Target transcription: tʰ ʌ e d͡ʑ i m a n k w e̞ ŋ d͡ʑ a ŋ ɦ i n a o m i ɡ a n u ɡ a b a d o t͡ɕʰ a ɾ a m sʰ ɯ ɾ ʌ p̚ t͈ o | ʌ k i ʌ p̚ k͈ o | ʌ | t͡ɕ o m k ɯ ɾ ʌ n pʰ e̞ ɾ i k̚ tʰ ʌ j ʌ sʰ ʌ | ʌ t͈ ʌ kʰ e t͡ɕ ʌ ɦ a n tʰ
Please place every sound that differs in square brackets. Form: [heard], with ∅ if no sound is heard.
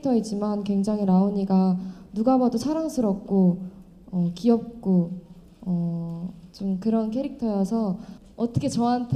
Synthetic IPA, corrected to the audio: tʰ ʌ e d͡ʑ i m a n k w e̞ ŋ d͡ʑ a ŋ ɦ i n a o [ɲ] i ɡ a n u ɡ a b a d o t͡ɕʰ a ɾ a [ŋ] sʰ ɯ ɾ ʌ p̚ [k͈] o | ʌ k i ʌ p̚ k͈ o | ʌ | t͡ɕ o m k ɯ ɾ ʌ n [kʰ] e̞ ɾ i k̚ tʰ ʌ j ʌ sʰ ʌ | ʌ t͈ ʌ kʰ e t͡ɕ ʌ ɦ a n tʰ

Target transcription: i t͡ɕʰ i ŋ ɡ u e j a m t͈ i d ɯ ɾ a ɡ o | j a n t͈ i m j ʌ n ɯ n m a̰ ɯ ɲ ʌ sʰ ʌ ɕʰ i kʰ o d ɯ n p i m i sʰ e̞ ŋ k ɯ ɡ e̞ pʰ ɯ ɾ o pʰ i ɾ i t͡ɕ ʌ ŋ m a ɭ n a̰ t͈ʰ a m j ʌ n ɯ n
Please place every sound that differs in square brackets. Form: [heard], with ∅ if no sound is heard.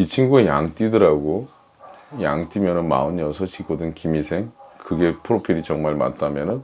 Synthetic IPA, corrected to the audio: i t͡ɕʰ i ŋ ɡ u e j a [ŋ] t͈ i d ɯ ɾ a ɡ o | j a [ŋ] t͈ i m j ʌ n ɯ n m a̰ ɯ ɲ ʌ sʰ ʌ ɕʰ i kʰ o d ɯ n [k] i m i sʰ e̞ ŋ k ɯ ɡ e̞ pʰ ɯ ɾ o pʰ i ɾ i t͡ɕ ʌ ŋ m a ɭ [m] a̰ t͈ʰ a m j ʌ n ɯ n

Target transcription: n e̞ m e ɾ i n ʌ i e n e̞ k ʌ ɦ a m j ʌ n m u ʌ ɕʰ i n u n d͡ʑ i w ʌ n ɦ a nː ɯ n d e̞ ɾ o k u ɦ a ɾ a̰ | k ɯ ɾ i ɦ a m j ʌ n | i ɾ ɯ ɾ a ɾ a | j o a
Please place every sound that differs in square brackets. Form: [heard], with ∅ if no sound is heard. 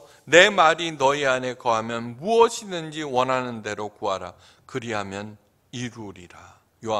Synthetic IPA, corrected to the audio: n e̞ m [a] ɾ i n ʌ i [a] n e̞ k ʌ ɦ a m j ʌ n m u ʌ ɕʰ i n [ɯ] n d͡ʑ i w ʌ n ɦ a [n] ɯ n d e̞ ɾ o k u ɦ a ɾ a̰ | k ɯ ɾ i ɦ a m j ʌ n | i ɾ [u] ɾ [i] ɾ a | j o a

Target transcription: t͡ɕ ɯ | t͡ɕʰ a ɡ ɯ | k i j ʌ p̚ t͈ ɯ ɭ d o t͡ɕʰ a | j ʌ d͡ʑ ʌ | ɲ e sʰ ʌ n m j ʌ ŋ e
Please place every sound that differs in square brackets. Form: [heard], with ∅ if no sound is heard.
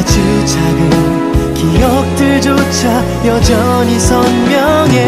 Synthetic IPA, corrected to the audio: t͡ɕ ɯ | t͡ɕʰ a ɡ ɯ | k i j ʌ [k̚] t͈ ɯ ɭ [d͡ʑ] o t͡ɕʰ a | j ʌ d͡ʑ ʌ | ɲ [i] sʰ ʌ n m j ʌ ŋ e

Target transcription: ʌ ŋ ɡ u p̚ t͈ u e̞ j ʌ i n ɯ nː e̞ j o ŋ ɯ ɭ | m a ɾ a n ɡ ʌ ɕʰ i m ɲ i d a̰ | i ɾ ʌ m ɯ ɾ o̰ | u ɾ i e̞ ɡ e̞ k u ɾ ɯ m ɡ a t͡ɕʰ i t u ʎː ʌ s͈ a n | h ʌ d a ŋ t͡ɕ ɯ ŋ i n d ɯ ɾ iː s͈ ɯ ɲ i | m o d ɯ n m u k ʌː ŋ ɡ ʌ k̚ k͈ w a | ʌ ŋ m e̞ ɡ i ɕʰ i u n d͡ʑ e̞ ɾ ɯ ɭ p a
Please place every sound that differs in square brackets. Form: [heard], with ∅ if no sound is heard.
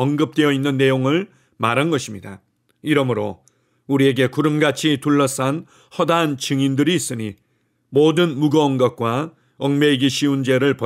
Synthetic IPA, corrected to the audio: ʌ ŋ ɡ [ɯ] p̚ t͈ [w] e̞ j ʌ i [nː] ɯ nː e̞ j o ŋ ɯ ɭ | m a ɾ a n ɡ ʌ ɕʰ i m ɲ i d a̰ | i ɾ ʌ m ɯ ɾ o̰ | u ɾ i e̞ ɡ e̞ k u ɾ ɯ m ɡ a t͡ɕʰ i t u [ɭː] ʌ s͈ a n | h ʌ d a [n] t͡ɕ ɯ ŋ i n d ɯ ɾ iː s͈ ɯ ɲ i | m o d ɯ n m u [ɡ] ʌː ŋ ɡ ʌ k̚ k͈ w a | ʌ ŋ m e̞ ɡ i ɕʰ i u n d͡ʑ e̞ ɾ ɯ ɭ p [ʌ]

